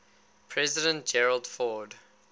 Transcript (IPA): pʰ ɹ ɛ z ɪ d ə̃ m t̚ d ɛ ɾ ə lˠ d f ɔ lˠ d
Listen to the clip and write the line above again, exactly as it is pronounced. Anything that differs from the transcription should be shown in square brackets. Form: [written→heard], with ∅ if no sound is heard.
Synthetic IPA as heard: pʰ ɹ ɛ z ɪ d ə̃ [m→n] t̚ [d→d͡ʒ] ɛ [ɾ→ɹ] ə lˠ d f ɔ [lˠ→∅] d